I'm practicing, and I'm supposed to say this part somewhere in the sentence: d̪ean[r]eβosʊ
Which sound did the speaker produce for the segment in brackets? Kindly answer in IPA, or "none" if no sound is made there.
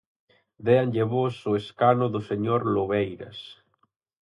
ʎ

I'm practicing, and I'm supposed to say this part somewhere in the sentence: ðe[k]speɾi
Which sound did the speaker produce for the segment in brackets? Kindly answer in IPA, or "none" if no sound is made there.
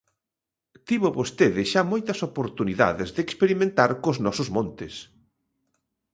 k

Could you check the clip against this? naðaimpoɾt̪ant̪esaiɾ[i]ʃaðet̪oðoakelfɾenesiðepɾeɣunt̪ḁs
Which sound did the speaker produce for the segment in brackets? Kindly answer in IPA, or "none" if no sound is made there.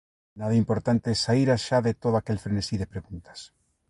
a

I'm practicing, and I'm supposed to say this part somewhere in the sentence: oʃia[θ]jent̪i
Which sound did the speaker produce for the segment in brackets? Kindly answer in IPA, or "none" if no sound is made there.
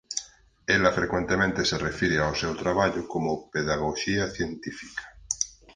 θ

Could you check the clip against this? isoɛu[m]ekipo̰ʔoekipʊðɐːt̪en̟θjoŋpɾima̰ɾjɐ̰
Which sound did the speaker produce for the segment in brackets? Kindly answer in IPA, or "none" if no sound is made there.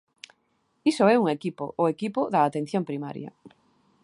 ŋ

